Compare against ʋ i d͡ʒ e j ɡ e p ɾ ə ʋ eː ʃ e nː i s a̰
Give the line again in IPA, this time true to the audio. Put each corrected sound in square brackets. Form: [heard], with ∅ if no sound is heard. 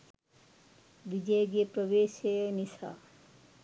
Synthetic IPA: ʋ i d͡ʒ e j ɡ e p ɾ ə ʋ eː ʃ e [n] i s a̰